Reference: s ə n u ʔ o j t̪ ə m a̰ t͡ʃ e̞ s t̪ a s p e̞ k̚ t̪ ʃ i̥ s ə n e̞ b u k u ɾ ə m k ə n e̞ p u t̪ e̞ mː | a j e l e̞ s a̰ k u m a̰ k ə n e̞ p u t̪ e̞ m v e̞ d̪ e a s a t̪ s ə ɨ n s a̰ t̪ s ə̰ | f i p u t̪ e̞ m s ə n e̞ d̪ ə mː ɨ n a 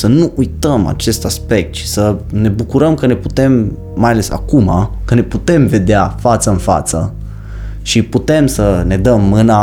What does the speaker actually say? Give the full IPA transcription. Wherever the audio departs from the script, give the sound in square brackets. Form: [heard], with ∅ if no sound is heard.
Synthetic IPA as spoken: s ə n u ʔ [u] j t̪ ə m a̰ t͡ʃ e̞ s t̪ a s p e̞ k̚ t̪ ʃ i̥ s ə n e̞ b u k u ɾ ə m k ə n e̞ p u t̪ e̞ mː | a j [a] l e̞ s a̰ k u m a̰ k ə n e̞ p u t̪ e̞ m v e̞ d̪ e a [f] a t̪ s ə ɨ n [f] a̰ t̪ s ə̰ | [ʃ] i p u t̪ e̞ m s ə n e̞ d̪ ə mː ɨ n a